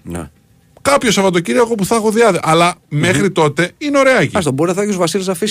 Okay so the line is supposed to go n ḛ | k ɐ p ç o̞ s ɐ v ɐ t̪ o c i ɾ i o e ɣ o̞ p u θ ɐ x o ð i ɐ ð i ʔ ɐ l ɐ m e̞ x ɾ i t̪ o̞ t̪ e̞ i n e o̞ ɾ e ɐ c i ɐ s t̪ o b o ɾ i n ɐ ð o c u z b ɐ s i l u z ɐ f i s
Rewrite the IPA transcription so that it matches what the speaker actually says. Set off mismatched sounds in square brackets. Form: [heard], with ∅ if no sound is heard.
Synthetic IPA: n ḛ | k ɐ p ç o̞ s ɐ v ɐ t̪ o c i ɾ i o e ɣ o̞ p u θ ɐ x o ð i ɐ ð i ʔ ɐ l ɐ m e̞ x ɾ i t̪ o̞ t̪ e̞ i n e o̞ ɾ e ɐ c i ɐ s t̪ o b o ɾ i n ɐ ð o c u z [v] ɐ s i l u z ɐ f i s